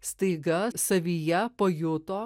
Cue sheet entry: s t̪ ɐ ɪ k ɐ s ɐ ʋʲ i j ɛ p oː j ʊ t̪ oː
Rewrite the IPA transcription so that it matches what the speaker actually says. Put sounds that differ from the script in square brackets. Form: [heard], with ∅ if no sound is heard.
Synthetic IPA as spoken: s t̪ ɐ ɪ [ɡ] ɐ s ɐ ʋʲ i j ɛ p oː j ʊ t̪ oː